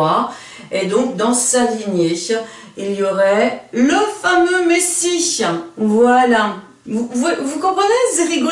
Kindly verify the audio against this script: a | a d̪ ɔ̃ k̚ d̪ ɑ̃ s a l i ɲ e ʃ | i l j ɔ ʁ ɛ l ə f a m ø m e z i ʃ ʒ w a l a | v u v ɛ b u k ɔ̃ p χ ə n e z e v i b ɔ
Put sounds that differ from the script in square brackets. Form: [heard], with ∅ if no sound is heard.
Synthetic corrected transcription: a | [e] d̪ ɔ̃ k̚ d̪ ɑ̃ s a l i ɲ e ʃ | i l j ɔ ʁ ɛ l ə f a m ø m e [s] i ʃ [v] w a l a | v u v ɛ [v] u k ɔ̃ p χ ə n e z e [ʁ] i [ɡ] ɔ